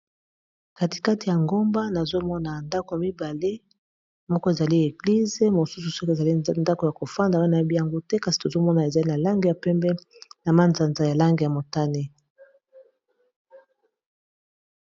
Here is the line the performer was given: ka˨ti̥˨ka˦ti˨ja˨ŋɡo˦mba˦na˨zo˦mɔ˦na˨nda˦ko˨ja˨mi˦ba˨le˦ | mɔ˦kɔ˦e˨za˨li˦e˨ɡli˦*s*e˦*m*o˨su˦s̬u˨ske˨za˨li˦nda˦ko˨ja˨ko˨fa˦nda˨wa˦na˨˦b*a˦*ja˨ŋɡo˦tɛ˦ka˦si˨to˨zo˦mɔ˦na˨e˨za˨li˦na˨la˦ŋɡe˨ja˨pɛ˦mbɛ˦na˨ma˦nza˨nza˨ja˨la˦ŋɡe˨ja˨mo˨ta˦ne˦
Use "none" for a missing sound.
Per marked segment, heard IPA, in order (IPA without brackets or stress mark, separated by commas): z, m, i˦